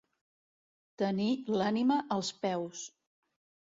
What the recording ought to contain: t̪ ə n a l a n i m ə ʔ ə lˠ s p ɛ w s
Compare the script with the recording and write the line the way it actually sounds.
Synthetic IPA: t̪ ə n i l a n i m ə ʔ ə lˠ s p ɛ w s

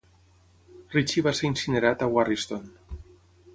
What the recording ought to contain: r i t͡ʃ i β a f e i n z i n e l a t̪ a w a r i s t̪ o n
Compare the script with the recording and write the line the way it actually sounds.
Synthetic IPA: r i t͡ʃ i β a s e i n s i n e ɾ a t̪ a w a r i s t̪ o n

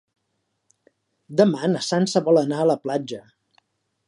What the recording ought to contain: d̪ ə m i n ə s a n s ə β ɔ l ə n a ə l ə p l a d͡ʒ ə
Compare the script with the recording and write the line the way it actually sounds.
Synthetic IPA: d̪ ə m a n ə s a n s ə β ɔ l ə n a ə l ə p l a d͡ʒ ə

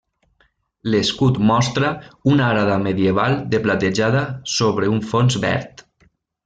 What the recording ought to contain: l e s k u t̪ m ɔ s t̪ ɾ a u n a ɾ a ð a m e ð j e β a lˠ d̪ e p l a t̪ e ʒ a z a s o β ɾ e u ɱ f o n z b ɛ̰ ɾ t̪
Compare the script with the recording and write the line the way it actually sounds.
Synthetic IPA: l e s k u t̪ m ɔ s t̪ ɾ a u n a ɾ a ð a m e ð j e β a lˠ d̪ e p l a t̪ e ʒ a ð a s o β ɾ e u ɱ f o n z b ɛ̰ ɾ t̪

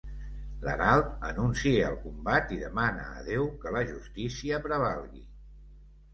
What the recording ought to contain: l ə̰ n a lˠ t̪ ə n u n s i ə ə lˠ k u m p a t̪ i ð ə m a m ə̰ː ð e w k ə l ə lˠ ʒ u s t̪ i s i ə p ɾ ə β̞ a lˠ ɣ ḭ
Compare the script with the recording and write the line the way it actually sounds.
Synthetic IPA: l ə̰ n a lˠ t̪ ə n u n s i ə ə lˠ k u m b a t̪ i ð ə m a n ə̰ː ð e w k ə l ə ʒ u s t̪ i s i ə p ɾ ə β̞ a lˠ ɣ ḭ

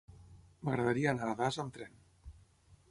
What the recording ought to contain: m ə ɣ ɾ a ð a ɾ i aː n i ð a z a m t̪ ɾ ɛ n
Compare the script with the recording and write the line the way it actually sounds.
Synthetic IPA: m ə ɣ ɾ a ð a ɾ i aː n a ð a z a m t̪ ɾ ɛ n

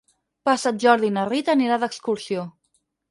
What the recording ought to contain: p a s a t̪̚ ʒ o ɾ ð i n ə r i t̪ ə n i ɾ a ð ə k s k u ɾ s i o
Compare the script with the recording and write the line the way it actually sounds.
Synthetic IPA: p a s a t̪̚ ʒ ɔ ɾ ð i n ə r i t̪ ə n i ɾ a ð ə k s k u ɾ s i o

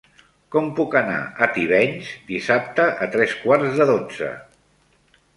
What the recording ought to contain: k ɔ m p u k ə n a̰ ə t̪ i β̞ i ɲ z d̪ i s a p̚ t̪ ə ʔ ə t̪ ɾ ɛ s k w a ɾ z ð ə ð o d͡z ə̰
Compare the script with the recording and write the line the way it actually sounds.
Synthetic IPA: k ɔ m p u k ə n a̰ ə t̪ i β̞ ɛ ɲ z d̪ i s a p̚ t̪ ə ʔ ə t̪ ɾ ɛ s k w a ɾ z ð ə ð o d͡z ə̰

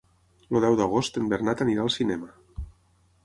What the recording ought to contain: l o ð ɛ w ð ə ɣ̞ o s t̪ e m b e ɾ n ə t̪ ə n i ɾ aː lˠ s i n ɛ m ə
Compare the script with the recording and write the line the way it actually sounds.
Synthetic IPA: l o ð ɛ w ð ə ɣ̞ o s t̪ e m b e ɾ n a t̪ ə n i ɾ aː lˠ s i n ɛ m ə

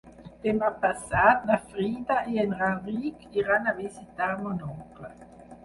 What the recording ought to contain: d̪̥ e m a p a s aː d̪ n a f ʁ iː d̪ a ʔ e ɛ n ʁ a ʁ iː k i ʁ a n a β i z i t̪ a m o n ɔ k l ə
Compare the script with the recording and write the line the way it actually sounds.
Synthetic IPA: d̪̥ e m a p a s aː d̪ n a f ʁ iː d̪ a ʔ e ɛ n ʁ a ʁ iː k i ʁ a n a v i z i t̪ a m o n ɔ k l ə

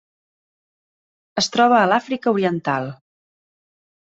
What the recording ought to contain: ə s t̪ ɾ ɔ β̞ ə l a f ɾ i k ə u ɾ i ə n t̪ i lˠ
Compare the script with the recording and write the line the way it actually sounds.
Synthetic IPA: ə s t̪ ɾ ɔ β̞ əː l a f ɾ i k ə u ɾ i ə n t̪ a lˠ

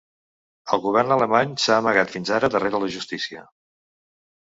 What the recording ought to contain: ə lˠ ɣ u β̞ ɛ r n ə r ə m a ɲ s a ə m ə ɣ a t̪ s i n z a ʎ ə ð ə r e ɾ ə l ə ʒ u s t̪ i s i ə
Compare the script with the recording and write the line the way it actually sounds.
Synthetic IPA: ə lˠ ɣ u β̞ ɛ r n ə l ə m a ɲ s a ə m ə ɣ a t̪ f i n z a ɾ ə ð ə r e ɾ ə l ə ʒ u s t̪ i s i ə

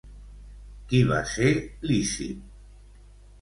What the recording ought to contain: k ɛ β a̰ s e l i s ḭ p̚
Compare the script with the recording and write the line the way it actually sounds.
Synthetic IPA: k i β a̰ s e l i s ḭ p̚

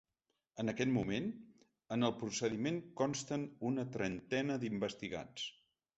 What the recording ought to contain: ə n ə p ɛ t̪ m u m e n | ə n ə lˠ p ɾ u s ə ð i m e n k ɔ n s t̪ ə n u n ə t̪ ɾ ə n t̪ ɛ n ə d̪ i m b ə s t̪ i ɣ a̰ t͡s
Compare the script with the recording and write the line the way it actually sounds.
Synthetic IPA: ə n ə k ɛ t̪ m u m e n | ə n ə lˠ p ɾ u s ə ð i m e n k ɔ n s t̪ ə n u n ə t̪ ɾ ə n t̪ ɛ n ə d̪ i m b ə s t̪ i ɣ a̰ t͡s

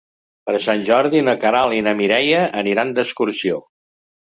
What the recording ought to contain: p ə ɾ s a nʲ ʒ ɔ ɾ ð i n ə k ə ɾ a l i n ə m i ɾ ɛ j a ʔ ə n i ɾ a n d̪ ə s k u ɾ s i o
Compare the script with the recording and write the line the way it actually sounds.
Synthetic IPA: p ə ɾ s a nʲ ʒ ɔ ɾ ð i n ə k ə ɾ a l i n ə m i ɾ ɛ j ə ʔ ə n i ɾ a n d̪ ə s k u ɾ s i o

